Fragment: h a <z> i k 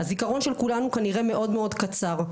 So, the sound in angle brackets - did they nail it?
yes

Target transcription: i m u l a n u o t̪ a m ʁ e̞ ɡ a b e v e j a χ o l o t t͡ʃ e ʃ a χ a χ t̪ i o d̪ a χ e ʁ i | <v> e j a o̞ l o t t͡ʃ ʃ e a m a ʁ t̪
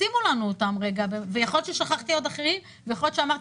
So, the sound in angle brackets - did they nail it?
yes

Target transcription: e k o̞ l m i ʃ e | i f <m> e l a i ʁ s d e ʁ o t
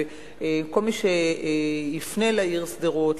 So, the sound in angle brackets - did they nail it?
no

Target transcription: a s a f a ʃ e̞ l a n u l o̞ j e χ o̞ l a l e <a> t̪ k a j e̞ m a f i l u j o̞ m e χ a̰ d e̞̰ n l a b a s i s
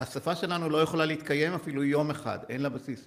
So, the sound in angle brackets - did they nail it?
no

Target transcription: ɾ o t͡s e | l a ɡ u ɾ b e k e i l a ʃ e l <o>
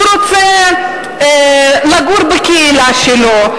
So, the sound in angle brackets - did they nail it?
yes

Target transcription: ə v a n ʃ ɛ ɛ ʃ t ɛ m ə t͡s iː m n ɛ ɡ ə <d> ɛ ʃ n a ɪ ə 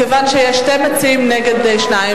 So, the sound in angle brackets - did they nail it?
yes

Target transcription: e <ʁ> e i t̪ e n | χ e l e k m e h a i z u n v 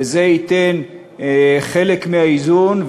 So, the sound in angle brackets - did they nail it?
no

